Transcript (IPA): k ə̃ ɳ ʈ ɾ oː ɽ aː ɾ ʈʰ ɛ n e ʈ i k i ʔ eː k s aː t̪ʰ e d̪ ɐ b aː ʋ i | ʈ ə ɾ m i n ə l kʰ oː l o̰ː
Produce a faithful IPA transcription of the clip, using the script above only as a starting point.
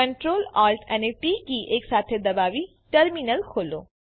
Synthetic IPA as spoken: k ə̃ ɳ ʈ ɾ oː l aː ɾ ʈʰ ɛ n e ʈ i k i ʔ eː k s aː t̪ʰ e d̪ ɐ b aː ʋ i | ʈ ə ɾ m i n ə l kʰ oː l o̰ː

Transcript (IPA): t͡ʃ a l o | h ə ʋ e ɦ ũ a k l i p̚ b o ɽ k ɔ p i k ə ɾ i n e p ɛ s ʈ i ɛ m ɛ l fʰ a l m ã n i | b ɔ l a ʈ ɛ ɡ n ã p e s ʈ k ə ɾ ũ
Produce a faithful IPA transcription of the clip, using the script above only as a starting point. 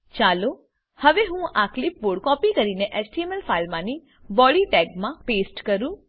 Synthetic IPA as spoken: t͡ʃ a l o | h ə ʋ e ɦ ũ a k l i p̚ b o ɽ k ɔ p i k ə ɾ i n e ʔ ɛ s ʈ i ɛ m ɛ l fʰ a l m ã n i | b ɔ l i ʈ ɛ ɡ m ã p e s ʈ k ə ɾ ũ

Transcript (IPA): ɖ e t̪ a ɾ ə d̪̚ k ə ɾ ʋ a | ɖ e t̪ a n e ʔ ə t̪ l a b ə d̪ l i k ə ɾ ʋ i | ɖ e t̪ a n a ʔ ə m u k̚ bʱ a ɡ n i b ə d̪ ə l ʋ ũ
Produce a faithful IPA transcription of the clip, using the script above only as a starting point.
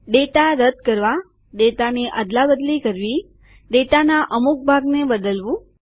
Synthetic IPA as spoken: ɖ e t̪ a ɾ ə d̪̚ k ə ɾ ʋ a | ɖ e t̪ a n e ʔ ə d̪ l a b ə d̪ l i k ə ɾ ʋ i | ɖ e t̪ a n a ʔ ə m u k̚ bʱ a ɡ n e b ə d̪ ə l ʋ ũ

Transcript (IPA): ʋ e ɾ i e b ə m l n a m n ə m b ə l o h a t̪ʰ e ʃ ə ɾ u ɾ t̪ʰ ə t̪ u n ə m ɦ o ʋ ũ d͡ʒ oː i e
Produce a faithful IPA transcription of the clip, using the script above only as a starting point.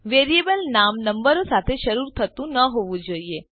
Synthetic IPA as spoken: ʋ e ɾ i e b ə l n a m n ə m b ə ɾ o s a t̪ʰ e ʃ ə ɾ u ɾ t̪ʰ ə t̪ ũ n ə ɦ o ʋ ũ d͡ʒ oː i e

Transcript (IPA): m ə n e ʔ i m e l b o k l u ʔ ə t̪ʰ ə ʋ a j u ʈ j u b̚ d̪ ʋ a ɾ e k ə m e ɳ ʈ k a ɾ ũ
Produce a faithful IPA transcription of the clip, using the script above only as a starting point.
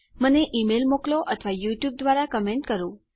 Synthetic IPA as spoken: m ə n e ʔ i m e l m o k l o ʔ ə t̪ʰ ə ʋ a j u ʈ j u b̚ d̪ ʋ a ɾ a k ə m e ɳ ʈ k ə ɾ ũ

